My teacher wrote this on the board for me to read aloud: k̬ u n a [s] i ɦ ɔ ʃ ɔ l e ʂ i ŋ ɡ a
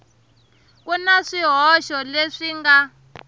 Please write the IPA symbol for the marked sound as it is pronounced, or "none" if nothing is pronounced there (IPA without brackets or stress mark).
ʂ